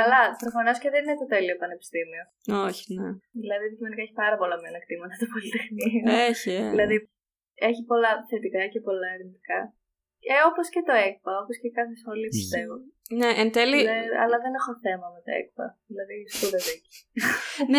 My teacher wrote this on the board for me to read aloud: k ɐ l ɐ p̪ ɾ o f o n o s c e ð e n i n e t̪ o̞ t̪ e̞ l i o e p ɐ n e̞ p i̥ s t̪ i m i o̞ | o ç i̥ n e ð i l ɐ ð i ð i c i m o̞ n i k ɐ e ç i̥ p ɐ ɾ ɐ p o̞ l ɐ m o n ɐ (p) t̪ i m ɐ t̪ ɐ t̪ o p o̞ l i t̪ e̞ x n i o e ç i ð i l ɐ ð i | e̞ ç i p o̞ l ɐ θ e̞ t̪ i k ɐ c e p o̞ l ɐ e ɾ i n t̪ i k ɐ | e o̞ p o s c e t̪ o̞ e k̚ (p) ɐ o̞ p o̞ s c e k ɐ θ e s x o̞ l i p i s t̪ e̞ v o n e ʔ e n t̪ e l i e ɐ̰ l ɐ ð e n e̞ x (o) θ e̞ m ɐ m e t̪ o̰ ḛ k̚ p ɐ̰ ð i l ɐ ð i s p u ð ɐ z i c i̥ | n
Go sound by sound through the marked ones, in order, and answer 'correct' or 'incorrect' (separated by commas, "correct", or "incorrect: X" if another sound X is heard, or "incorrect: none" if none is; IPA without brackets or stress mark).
incorrect: k, correct, correct